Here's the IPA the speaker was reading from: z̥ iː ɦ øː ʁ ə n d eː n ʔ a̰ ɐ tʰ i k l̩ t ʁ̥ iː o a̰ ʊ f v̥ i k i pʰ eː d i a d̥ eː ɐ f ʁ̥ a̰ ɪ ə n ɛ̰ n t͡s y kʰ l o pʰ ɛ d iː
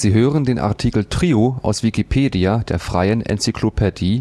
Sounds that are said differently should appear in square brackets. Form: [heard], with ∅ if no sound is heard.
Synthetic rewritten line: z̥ iː ɦ øː ʁ ə n d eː n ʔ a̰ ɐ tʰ i k l̩ t ʁ̥ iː o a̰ ʊ [s] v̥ i k i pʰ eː d i a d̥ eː ɐ f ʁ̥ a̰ ɪ ə n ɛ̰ n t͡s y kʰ l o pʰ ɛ d iː